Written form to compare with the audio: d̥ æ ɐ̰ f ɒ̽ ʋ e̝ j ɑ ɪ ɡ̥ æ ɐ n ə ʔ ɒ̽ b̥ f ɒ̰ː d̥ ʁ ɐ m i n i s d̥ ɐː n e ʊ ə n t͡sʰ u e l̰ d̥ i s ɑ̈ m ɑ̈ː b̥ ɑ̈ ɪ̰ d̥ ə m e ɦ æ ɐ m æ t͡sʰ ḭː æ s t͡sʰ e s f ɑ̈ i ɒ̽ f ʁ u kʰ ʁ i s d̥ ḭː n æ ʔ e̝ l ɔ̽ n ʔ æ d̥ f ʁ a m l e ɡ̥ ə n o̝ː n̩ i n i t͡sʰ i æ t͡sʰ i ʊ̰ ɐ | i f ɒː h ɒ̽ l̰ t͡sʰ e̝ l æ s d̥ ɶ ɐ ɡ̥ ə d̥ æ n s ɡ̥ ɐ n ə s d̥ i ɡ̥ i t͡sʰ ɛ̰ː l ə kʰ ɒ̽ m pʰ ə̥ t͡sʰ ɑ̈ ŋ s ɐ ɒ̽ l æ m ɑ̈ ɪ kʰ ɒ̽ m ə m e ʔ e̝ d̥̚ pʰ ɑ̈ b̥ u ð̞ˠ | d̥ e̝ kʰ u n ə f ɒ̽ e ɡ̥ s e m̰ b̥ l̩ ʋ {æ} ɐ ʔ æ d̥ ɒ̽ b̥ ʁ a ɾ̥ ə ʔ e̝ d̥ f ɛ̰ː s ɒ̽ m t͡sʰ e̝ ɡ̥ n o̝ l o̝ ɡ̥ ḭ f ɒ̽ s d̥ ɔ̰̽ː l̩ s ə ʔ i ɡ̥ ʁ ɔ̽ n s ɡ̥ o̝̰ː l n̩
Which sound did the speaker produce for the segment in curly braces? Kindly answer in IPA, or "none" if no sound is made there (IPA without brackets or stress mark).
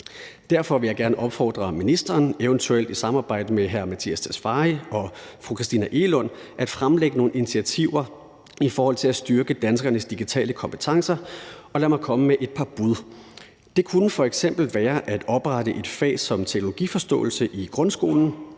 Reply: æː